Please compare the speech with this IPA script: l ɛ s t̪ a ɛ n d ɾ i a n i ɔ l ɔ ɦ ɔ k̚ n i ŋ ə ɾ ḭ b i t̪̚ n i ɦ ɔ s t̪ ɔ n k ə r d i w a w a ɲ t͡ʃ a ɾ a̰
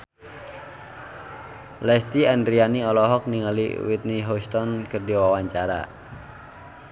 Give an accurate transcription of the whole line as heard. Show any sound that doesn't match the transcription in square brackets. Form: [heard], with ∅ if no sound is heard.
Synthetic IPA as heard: l ɛ s t̪ [i] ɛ n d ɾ i a n i ɔ l ɔ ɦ ɔ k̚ n i ŋ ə [l] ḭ [w] i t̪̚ n i ɦ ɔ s t̪ ɔ n k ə r d i w a w a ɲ t͡ʃ a ɾ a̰